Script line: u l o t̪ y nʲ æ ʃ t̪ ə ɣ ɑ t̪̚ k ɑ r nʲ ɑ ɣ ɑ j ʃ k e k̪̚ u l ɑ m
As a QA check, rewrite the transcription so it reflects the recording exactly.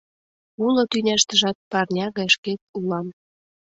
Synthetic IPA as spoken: u l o t̪ y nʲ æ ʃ t̪ ə ʒ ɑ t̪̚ p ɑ r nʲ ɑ ɣ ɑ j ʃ k e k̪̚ u l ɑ m